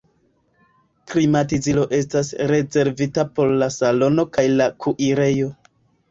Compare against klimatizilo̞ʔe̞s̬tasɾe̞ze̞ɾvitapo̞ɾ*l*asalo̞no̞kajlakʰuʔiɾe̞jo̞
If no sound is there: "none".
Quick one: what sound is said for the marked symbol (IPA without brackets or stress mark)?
l